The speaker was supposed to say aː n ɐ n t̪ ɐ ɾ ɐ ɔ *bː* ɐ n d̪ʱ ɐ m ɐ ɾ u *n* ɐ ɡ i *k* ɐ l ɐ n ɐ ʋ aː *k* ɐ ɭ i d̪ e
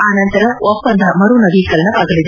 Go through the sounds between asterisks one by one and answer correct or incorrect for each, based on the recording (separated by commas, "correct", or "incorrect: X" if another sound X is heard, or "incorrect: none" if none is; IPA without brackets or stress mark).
incorrect: pː, correct, correct, incorrect: ɡ